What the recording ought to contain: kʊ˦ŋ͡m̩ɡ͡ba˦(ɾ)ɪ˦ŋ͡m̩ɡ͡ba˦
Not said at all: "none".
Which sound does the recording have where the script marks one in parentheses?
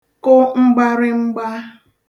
ɾ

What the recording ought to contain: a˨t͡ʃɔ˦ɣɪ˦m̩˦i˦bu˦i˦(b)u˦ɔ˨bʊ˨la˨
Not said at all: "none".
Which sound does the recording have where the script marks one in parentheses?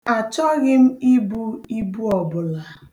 b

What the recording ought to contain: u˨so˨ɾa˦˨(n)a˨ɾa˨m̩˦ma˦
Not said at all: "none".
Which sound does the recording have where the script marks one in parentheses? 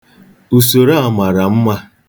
m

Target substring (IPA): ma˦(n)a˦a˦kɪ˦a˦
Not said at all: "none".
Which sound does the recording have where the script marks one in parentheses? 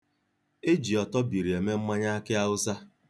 ɲ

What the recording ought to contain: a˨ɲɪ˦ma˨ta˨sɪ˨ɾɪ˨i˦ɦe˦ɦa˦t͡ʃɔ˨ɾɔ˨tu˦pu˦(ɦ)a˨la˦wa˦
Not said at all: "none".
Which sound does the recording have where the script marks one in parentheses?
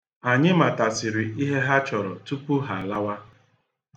ɦ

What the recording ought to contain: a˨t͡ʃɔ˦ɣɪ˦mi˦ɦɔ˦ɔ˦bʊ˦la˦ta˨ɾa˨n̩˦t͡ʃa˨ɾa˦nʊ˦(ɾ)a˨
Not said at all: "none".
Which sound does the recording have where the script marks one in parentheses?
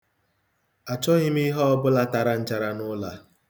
l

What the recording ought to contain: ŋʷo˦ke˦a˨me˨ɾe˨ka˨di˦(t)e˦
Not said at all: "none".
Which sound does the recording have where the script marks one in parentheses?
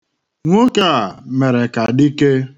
k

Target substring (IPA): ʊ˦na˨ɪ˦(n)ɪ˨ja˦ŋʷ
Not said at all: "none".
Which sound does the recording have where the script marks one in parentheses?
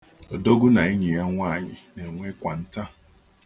ɲ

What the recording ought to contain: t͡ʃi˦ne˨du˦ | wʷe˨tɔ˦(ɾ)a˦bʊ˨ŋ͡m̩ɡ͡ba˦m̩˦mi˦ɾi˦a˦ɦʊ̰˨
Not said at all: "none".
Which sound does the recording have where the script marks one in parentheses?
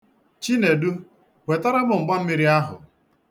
ɾ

